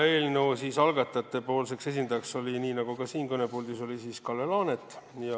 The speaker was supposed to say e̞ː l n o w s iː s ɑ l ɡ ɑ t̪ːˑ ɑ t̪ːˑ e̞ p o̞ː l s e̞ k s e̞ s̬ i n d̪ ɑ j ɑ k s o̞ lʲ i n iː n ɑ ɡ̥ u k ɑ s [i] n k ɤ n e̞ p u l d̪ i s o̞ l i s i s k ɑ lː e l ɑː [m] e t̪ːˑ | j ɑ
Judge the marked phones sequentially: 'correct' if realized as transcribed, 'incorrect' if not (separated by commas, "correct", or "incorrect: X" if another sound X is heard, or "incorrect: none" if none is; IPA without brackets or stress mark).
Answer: incorrect: iː, incorrect: n